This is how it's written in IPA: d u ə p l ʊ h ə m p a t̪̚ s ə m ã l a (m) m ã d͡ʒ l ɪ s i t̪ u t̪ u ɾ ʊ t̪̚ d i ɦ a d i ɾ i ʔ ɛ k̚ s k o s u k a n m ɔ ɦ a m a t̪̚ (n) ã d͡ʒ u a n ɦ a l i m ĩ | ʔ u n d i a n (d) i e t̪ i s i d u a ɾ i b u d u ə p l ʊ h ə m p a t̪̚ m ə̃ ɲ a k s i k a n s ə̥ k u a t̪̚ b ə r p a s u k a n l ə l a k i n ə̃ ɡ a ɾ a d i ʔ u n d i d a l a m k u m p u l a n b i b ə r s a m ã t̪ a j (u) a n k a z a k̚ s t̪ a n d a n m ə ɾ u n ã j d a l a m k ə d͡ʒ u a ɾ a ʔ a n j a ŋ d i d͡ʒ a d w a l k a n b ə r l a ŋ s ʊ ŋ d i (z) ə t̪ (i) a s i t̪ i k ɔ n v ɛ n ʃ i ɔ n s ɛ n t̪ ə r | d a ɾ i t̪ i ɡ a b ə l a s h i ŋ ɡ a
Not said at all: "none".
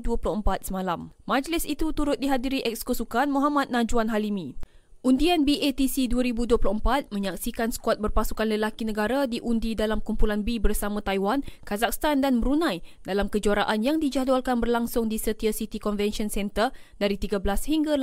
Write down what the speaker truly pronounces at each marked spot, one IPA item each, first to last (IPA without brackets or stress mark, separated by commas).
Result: m, n, b, w, s, i